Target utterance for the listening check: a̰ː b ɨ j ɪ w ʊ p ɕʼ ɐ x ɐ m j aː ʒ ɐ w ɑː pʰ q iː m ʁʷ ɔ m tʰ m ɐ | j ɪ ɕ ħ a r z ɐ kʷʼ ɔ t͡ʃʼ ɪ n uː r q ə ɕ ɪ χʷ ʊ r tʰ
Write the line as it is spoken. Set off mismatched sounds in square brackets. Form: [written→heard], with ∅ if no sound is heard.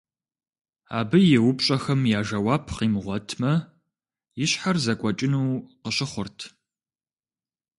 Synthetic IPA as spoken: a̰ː b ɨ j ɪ w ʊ p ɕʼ ɐ x ɐ m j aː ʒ ɐ w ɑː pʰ q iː m ʁʷ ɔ [m→∅] tʰ m ɐ | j ɪ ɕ ħ a r z ɐ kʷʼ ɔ t͡ʃʼ ɪ n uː [r→∅] q ə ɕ ɪ χʷ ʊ r tʰ